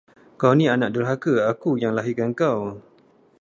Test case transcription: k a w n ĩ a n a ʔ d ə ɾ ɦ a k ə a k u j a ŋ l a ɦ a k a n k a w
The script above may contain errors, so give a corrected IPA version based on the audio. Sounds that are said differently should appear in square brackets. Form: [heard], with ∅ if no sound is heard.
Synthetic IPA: k a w n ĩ a n a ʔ d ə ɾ ɦ a k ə a k u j a ŋ l a ɦ [i] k a n k a w